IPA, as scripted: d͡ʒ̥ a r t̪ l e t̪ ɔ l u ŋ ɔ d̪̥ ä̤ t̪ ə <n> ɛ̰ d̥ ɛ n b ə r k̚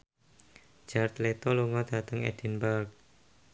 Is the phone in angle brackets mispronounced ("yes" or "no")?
yes